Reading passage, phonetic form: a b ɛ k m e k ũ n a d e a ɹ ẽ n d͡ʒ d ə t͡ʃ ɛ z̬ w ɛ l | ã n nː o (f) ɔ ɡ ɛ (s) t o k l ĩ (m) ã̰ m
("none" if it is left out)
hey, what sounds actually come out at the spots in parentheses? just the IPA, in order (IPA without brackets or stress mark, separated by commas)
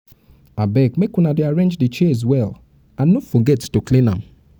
f, t, n